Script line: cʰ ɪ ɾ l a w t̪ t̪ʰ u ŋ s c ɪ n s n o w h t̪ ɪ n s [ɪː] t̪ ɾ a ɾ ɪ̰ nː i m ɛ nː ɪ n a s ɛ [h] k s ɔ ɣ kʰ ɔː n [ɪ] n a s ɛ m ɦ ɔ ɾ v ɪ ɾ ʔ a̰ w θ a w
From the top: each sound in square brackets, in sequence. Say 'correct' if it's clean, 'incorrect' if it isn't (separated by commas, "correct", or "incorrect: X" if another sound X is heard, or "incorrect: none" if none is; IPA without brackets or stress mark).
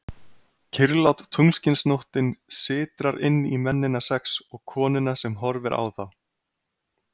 correct, incorrect: none, correct